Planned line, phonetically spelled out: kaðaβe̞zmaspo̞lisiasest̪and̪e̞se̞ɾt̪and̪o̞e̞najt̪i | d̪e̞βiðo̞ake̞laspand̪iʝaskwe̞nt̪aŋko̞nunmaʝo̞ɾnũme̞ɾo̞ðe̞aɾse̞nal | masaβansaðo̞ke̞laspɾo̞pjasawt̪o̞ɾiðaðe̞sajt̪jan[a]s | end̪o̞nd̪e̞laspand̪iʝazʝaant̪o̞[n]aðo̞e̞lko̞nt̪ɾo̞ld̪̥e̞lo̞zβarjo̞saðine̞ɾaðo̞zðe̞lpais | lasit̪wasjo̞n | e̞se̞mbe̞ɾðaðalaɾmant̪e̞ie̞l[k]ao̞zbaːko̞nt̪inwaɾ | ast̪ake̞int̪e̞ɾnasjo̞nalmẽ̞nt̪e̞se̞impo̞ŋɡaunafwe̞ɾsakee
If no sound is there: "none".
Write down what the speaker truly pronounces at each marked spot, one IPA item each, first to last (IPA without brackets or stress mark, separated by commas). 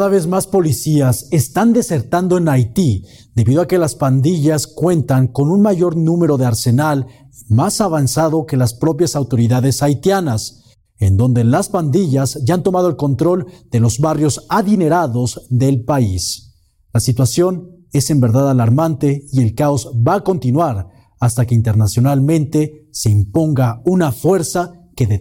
a, m, k